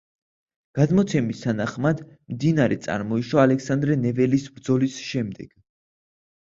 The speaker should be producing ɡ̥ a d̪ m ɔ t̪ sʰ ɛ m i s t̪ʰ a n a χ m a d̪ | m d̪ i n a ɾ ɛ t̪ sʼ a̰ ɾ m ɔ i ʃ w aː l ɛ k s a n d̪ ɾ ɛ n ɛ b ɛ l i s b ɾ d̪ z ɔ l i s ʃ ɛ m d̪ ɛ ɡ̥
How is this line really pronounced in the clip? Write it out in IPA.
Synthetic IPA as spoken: ɡ̥ a d̪ m ɔ t̪ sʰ ɛ m i s t̪ʰ a n a χ m a d̪ | m d̪ i n a ɾ ɛ t̪ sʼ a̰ ɾ m ɔ i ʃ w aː l ɛ k s a n d̪ ɾ ɛ n ɛ v ɛ l i s b ɾ d̪ z ɔ l i s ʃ ɛ m d̪ ɛ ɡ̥